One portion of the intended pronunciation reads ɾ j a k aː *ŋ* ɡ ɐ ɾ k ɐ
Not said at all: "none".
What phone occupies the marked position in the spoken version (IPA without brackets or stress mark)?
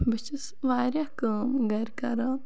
m